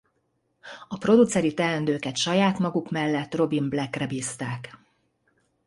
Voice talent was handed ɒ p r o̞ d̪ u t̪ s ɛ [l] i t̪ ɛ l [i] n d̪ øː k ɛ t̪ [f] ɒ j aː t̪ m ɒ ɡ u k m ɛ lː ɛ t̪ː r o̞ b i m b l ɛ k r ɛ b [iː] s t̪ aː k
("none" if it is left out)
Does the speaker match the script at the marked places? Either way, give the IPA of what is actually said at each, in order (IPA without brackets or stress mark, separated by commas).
ɾ, ɛ, ʃ, iː